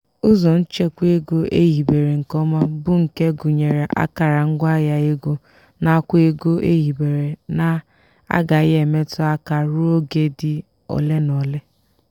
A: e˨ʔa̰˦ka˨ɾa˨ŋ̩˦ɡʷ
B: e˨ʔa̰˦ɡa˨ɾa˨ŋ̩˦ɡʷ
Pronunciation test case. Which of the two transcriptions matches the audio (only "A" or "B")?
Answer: A